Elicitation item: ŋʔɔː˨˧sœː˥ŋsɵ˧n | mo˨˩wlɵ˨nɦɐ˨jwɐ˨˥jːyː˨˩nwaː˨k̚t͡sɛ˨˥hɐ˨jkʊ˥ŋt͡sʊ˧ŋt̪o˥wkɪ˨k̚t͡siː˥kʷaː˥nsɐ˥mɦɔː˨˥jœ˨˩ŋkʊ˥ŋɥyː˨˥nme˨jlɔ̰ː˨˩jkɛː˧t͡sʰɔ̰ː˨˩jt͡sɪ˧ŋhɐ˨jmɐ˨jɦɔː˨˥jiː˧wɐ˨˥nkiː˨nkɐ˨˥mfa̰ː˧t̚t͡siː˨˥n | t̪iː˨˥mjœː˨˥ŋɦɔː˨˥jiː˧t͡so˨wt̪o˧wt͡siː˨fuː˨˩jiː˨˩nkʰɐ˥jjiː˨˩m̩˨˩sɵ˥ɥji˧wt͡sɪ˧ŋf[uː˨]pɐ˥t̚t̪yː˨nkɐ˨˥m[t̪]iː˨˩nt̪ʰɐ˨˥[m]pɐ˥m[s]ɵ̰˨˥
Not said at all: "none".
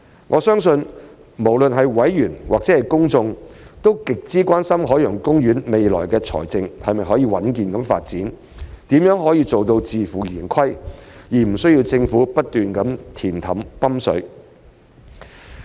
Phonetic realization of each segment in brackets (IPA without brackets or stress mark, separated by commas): uː˨˥, t̪ʰ, m, s